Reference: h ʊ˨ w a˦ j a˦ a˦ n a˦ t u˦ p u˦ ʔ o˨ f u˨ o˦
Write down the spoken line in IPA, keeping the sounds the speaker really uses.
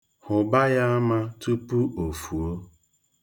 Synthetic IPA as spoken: h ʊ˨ b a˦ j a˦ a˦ m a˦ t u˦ p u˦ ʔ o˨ f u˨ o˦